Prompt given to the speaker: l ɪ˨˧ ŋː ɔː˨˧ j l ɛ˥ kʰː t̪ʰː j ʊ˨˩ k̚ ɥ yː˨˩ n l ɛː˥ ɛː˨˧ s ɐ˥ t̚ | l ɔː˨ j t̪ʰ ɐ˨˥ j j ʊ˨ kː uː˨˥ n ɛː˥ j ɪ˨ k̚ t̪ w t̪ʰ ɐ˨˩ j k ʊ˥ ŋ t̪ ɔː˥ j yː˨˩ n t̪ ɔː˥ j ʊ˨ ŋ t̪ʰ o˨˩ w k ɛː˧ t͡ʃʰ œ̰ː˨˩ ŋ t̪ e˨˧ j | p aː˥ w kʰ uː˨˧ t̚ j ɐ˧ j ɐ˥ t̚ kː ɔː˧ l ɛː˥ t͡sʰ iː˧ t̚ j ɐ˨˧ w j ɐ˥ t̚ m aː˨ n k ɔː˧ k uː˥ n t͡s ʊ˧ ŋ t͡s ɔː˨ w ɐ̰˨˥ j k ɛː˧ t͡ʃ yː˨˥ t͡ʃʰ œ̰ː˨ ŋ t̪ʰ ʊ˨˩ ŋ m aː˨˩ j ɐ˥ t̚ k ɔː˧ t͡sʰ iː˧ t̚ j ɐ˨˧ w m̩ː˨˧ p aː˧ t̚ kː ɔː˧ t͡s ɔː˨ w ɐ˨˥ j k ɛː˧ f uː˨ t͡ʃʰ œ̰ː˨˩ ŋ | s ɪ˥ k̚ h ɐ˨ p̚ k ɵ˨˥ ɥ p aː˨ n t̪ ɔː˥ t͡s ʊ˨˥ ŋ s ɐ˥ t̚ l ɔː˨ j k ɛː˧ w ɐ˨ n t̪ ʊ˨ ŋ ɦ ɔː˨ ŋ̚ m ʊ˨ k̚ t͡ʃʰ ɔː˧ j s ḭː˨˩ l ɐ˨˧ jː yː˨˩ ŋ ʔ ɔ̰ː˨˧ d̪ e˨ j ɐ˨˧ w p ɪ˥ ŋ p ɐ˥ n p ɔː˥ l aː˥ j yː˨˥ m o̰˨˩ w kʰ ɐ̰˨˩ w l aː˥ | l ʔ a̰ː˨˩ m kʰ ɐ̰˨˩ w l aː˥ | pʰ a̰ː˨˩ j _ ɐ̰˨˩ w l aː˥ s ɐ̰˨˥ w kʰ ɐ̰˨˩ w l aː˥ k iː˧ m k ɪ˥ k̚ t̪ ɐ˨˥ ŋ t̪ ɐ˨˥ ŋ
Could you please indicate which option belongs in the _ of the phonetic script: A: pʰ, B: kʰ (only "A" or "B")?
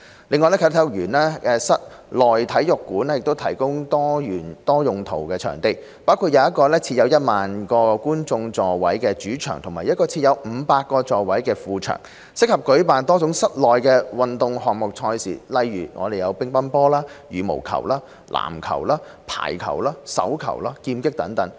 B